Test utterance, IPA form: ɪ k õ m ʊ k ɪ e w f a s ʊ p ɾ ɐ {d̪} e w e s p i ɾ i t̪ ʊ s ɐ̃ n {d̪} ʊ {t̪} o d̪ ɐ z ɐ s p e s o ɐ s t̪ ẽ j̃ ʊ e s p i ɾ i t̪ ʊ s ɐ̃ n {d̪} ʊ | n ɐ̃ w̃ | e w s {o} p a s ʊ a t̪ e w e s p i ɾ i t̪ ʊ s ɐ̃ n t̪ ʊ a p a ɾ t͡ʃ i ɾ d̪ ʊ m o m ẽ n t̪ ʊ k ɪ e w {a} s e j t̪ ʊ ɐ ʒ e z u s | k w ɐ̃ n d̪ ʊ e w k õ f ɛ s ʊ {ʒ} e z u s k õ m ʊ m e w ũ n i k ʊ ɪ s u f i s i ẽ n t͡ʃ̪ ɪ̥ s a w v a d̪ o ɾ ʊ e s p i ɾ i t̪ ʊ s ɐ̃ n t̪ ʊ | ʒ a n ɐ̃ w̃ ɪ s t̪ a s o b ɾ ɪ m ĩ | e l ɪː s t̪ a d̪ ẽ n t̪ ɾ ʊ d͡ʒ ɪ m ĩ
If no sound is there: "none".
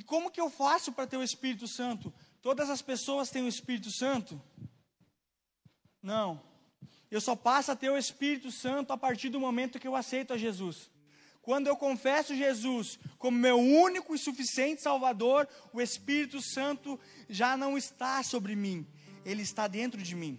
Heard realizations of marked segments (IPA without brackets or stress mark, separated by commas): t̪, t̪, t̪, t̪, ɔ, a, ʒ